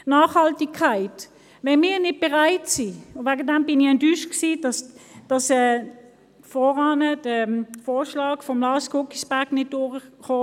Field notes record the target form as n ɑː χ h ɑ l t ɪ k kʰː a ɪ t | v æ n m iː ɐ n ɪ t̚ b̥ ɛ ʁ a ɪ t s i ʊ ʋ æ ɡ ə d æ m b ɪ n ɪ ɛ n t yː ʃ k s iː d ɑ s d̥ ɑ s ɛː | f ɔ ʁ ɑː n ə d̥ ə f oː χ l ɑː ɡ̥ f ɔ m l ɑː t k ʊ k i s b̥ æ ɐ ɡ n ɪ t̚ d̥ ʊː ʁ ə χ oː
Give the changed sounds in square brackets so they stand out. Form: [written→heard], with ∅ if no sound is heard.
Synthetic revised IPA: n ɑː χ h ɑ l t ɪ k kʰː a ɪ t | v [æ→ɛ] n m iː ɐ n ɪ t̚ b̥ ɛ ʁ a ɪ t s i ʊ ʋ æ ɡ ə d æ m b ɪ n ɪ ɛ n t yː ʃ k s iː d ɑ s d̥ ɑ s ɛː | f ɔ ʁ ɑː n ə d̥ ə f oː [χ→ʃ] l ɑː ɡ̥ f ɔ m l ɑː [t→s] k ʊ k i s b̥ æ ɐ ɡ n ɪ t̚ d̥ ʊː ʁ ə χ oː

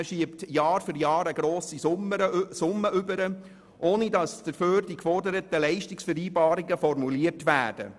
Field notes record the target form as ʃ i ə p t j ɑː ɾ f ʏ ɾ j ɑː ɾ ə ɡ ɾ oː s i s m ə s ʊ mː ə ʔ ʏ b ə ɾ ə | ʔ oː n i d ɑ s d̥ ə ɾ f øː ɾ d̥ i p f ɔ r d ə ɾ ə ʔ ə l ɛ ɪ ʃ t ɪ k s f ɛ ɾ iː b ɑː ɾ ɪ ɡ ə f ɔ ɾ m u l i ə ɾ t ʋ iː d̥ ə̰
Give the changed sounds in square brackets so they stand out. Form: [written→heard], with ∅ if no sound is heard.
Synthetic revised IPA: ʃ i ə p t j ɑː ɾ f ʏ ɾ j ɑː ɾ ə ɡ ɾ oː s i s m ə s ʊ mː ə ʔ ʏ b ə ɾ ə | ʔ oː n i d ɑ s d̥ ə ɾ f øː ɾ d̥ i [p→k] f ɔ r d ə ɾ ə [ʔ→t] ə l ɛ ɪ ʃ t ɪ k s f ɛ ɾ iː b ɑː ɾ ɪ ɡ ə f ɔ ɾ m u l i ə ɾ t ʋ [iː→æː] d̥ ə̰

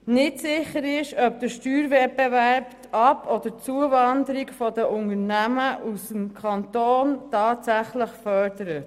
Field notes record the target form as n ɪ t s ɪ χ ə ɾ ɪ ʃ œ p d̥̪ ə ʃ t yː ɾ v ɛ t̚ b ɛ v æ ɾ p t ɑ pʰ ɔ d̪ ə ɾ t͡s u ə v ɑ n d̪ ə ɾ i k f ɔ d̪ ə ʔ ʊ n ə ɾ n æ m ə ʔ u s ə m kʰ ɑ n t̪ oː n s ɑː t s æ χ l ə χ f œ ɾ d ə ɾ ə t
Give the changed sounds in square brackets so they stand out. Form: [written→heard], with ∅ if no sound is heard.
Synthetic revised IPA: n ɪ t s ɪ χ ə ɾ ɪ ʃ œ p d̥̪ ə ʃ t yː ɾ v ɛ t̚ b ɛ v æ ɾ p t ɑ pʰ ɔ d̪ ə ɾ t͡s u ə v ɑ n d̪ ə ɾ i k f ɔ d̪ ə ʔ ʊ n ə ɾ n æ m ə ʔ u s ə m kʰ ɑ n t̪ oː n [s→t] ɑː t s æ χ l ə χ f œ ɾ d ə ɾ ə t

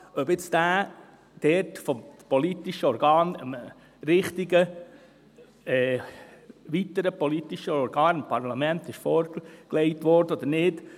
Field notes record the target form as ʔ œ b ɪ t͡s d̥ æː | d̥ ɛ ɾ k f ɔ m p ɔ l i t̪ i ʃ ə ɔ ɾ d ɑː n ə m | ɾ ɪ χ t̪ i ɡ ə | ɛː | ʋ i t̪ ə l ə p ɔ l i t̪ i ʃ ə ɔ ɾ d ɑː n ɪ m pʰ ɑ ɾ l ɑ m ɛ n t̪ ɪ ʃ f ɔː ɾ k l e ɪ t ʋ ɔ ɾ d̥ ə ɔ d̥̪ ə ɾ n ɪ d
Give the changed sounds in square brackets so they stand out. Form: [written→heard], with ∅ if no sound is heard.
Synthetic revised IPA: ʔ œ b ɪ t͡s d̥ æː | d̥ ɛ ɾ [k→t] f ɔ m p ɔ l i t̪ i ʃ ə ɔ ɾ [d→ɡ] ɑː n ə m | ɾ ɪ χ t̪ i ɡ ə | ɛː | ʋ i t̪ ə [l→ɾ] ə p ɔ l i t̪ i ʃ ə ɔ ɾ [d→ɡ] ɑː n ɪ m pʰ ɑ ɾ l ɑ m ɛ n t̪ ɪ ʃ f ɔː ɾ k l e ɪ t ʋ ɔ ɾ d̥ ə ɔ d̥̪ ə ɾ n ɪ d

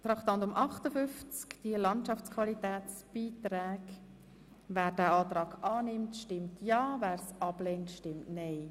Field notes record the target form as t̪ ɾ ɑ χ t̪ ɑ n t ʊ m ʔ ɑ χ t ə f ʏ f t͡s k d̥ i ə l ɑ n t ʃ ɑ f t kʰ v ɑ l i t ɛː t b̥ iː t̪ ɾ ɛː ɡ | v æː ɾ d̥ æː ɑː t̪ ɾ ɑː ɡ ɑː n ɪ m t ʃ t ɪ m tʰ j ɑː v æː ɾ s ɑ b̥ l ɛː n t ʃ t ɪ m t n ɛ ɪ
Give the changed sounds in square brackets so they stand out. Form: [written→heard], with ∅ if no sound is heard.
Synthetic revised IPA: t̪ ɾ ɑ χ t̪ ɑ n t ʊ m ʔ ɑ χ t ə f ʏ f t͡s k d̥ i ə l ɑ n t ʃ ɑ f [t→t͡s] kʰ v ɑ l i t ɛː [t→t͡s] b̥ iː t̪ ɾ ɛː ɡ | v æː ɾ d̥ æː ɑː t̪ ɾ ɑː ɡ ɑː n ɪ m t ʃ t ɪ m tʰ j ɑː v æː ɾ s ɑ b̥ l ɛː n t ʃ t ɪ m t n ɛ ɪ

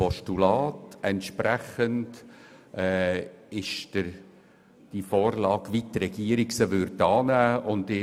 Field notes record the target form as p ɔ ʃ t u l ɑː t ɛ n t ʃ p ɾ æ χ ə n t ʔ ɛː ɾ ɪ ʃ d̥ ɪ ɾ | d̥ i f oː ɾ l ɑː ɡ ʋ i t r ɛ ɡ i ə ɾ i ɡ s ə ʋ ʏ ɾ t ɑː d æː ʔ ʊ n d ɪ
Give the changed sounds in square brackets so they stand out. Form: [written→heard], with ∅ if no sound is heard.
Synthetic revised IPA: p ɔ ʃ t u l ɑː t ɛ n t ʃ p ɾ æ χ ə n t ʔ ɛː [ɾ→∅] ɪ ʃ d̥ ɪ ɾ | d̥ i f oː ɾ l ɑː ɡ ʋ i t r ɛ ɡ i ə ɾ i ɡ s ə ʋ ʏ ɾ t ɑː [d→n] æː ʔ ʊ n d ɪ

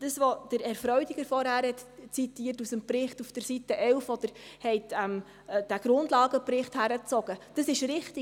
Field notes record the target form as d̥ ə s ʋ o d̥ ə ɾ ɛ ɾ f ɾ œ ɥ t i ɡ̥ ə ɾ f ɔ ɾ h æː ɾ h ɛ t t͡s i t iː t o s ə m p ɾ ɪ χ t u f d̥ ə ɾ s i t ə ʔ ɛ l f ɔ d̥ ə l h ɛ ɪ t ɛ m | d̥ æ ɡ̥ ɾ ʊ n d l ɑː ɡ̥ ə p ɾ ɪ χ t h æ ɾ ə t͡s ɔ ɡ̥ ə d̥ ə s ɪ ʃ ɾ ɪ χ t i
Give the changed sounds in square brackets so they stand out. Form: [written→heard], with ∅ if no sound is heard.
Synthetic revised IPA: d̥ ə s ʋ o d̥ ə ɾ ɛ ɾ f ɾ œ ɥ [t→d] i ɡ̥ ə ɾ f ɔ ɾ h æː ɾ h ɛ t t͡s i t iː t [o→u] s ə m p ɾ ɪ χ t u f d̥ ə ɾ s i t ə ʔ ɛ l f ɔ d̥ ə [l→ɾ] h ɛ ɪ t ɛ m | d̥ æ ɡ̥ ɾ ʊ n d l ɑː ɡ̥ ə p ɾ ɪ χ t h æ ɾ ə t͡s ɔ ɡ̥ ə d̥ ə s ɪ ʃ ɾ ɪ χ t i

